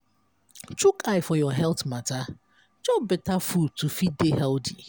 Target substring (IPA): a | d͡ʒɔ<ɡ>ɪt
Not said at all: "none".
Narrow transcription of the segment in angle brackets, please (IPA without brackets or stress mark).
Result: b